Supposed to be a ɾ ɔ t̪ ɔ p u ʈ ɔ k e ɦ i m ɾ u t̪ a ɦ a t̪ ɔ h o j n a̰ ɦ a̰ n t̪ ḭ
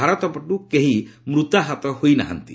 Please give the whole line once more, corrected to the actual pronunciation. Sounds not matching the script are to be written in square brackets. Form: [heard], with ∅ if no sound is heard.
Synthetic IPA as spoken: a ɾ ɔ t̪ ɔ p [ɔ] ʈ [u] k e ɦ i m ɾ u t̪ a ɦ a t̪ ɔ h o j n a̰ ɦ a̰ n t̪ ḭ